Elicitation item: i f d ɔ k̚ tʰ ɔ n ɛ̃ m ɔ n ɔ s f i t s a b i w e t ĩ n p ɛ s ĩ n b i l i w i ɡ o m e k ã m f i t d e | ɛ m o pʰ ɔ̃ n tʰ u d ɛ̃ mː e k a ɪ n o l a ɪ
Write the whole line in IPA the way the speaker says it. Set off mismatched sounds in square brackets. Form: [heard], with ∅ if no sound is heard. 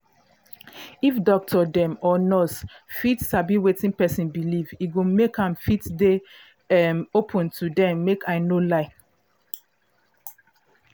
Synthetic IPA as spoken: i f d ɔ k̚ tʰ ɔ [d] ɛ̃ m ɔ n ɔ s f i t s a b i w e t ĩ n p ɛ s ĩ n b i l i [v] i ɡ o m e k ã m f i t d e | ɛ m o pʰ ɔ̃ n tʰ u d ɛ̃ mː e k a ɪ n o l a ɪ